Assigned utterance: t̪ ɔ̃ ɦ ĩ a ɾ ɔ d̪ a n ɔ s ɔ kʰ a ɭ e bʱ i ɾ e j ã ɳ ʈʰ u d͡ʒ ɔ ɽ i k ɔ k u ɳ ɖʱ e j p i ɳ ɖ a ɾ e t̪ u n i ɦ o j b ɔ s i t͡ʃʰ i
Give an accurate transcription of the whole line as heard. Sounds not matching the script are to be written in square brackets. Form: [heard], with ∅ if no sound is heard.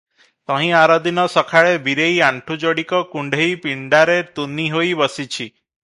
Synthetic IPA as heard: t̪ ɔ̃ ɦ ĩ a ɾ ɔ d̪ [i] n ɔ s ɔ kʰ a ɭ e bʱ i ɾ e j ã ɳ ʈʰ u d͡ʒ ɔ ɽ i k ɔ k u ɳ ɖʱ e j p i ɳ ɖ a ɾ e t̪ u n i ɦ o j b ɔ s i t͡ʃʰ i

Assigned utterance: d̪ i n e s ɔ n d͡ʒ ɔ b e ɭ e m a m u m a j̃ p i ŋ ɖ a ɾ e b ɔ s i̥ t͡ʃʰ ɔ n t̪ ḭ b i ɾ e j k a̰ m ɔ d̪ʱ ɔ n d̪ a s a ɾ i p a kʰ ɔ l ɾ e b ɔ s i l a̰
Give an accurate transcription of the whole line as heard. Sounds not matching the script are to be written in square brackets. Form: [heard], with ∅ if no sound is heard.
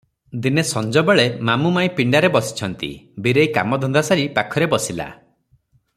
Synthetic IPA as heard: d̪ i n e s ɔ n d͡ʒ ɔ b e ɭ e m a m u m a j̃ p i [ɳ] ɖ a ɾ e b ɔ s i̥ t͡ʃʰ ɔ n t̪ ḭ b i ɾ e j k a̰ m ɔ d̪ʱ ɔ n d̪ a s a ɾ i p a kʰ ɔ [∅] ɾ e b ɔ s i l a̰

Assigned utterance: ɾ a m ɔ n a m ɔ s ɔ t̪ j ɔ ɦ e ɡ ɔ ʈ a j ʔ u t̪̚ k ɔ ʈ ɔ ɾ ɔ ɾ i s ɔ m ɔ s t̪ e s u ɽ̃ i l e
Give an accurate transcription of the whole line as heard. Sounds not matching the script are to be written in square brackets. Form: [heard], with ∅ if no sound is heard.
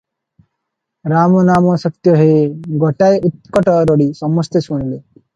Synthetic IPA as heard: ɾ a m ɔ n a m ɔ s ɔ t̪ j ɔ ɦ e ɡ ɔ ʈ a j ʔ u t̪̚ k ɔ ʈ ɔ ɾ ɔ [ɽ] i s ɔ m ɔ s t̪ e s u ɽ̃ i l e

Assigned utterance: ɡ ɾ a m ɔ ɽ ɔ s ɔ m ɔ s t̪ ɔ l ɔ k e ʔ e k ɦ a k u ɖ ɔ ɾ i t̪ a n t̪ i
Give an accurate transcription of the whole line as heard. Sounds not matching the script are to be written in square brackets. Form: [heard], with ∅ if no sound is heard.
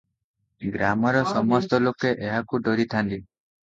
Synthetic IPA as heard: ɡ ɾ a m ɔ [ɾ] ɔ s ɔ m ɔ s t̪ ɔ l [o] k e ʔ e [∅] ɦ a k u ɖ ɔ ɾ i [t̪ʰ] a n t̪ i

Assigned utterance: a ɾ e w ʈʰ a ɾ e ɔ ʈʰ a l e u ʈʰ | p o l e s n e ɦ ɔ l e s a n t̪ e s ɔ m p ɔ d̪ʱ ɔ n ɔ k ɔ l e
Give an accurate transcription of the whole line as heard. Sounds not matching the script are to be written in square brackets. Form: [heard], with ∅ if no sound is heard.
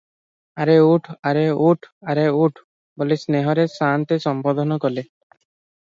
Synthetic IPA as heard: a ɾ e [u] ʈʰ a ɾ e [u] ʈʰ a [ɾ] e u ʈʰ | [b] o l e s n e ɦ ɔ [ɾ] e s a n t̪ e s ɔ m p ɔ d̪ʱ ɔ n ɔ k ɔ l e

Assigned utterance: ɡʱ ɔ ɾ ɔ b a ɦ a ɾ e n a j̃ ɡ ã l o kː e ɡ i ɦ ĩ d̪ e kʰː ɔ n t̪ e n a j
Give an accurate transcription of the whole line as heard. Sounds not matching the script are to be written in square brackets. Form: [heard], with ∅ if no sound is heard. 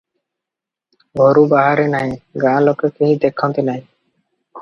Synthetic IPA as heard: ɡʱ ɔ ɾ [u] b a ɦ a ɾ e n a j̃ ɡ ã l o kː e [k] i ɦ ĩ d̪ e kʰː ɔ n t̪ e n a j

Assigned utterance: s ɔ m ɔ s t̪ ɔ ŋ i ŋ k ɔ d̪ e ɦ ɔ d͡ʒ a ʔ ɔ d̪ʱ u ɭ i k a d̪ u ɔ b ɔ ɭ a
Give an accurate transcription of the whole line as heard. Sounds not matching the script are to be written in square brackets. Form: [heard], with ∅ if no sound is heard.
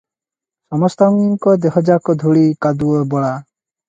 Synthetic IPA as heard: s ɔ m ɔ s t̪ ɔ ŋ i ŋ k ɔ d̪ e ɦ ɔ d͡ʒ a [k] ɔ d̪ʱ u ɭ i k a d̪ u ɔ b ɔ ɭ a

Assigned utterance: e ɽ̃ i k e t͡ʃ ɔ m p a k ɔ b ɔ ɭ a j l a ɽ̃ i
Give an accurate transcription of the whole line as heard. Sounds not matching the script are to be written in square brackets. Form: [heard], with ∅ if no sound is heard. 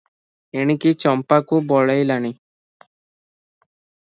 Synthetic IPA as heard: e ɽ̃ i k [i] t͡ʃ ɔ m p a k [u] b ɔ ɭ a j l a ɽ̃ i

